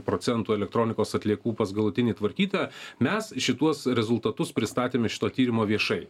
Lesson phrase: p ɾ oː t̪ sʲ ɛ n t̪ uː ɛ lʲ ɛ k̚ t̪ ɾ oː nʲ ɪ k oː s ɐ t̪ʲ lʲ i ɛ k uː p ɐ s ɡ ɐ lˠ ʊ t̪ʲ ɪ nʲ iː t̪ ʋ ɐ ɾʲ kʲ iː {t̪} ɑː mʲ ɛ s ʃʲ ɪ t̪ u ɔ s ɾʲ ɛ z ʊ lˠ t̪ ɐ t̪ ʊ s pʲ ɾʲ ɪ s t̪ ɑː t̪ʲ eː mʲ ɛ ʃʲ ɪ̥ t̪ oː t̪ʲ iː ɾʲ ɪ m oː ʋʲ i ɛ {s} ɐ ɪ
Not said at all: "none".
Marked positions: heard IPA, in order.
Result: t̪, ʃ

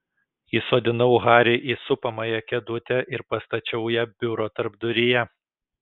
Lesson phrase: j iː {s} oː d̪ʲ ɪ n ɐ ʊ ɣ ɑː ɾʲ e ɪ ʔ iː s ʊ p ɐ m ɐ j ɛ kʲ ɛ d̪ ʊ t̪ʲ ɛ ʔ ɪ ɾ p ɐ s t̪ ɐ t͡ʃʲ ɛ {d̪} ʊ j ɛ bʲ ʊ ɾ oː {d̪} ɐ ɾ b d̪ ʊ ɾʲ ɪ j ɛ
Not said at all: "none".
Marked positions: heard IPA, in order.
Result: s, none, t̪

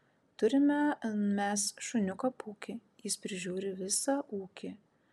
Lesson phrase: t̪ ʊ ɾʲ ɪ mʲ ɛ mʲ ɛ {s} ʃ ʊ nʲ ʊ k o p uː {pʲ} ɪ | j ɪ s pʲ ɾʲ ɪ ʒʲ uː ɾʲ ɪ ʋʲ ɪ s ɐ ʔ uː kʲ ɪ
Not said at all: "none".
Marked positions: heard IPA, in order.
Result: s, kʲ

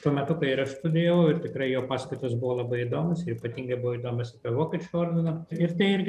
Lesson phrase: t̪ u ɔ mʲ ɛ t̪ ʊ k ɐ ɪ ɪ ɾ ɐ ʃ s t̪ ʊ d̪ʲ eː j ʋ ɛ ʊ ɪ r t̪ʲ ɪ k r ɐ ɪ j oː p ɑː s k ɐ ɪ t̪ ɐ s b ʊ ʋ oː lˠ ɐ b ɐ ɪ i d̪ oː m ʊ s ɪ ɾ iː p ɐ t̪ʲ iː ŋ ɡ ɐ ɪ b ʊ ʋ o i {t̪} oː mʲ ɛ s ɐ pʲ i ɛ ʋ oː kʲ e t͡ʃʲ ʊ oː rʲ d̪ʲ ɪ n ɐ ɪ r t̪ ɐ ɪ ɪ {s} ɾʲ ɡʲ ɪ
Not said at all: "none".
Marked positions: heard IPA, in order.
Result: d̪, none

